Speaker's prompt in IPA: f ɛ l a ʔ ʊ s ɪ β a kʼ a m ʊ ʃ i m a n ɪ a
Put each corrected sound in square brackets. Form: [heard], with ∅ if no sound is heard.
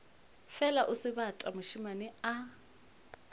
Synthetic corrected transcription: f ɛ l a ʔ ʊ s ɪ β a [tʼ] a m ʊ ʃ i m a n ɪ a